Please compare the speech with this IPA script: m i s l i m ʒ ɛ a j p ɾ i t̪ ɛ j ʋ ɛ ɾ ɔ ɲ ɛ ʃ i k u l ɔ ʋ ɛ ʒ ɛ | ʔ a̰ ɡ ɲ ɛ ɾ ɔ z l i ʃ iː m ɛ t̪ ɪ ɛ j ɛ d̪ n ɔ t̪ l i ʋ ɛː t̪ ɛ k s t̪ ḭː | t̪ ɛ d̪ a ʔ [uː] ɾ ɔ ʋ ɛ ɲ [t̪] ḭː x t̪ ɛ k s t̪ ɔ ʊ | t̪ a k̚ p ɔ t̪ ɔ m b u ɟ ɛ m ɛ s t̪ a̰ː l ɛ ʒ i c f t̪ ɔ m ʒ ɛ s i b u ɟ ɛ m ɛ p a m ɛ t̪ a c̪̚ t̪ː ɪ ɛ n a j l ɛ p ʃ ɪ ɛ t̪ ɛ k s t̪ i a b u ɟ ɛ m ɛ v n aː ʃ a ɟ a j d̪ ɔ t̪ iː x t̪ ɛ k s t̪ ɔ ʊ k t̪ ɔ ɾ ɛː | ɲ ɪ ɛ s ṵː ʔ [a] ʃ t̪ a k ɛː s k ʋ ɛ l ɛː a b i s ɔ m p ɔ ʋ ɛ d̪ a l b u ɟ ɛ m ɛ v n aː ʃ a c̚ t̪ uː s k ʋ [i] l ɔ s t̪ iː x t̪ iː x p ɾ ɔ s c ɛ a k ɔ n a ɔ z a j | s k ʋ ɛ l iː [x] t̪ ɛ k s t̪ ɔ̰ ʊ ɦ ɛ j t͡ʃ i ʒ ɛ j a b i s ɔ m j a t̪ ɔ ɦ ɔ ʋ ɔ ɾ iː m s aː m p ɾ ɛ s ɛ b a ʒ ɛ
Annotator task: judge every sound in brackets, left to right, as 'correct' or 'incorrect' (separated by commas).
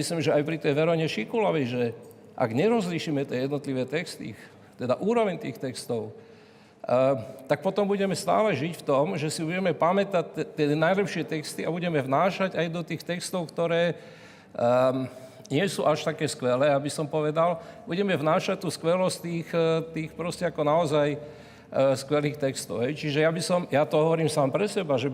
correct, correct, correct, incorrect, correct